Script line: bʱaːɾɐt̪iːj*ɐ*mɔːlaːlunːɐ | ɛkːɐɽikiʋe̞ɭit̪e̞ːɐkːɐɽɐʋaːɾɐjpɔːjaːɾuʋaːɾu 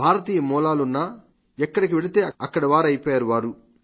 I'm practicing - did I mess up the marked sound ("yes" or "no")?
no